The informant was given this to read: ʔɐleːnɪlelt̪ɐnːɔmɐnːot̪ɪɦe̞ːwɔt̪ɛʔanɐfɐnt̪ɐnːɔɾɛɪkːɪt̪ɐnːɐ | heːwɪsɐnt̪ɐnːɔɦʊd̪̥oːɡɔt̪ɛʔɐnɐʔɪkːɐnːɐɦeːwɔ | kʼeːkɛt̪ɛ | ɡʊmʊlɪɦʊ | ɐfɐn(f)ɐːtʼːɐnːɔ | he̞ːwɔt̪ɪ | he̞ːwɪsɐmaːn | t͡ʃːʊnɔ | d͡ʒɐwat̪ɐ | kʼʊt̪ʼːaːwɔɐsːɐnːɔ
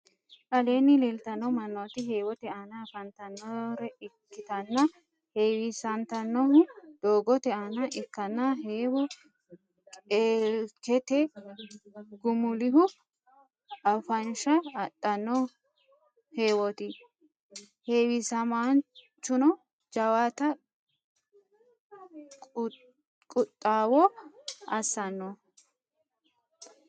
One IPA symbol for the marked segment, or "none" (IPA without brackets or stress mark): ʃ